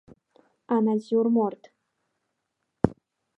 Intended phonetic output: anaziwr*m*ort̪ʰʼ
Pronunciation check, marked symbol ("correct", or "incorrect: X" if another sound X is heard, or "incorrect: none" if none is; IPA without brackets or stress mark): correct